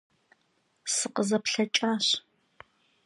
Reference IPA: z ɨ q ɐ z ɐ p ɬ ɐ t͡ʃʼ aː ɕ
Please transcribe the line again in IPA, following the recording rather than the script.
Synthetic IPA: s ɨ q ə z ɐ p ɬ ɐ t͡ʃʼ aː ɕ